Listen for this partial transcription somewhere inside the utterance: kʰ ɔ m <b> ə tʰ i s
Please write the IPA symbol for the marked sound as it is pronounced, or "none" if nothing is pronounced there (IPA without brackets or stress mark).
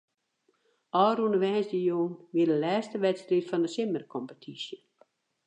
p